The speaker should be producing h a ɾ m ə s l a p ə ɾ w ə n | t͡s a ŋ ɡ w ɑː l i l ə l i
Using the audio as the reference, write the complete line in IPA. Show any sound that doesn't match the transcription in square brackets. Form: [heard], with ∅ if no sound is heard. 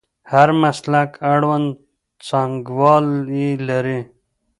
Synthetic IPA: h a ɾ m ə s l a [k] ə [ɽ] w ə n | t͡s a ŋ ɡ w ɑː l i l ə [ɾ] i